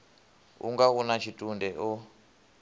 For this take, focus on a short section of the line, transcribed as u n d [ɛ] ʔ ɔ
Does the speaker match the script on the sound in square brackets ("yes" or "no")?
yes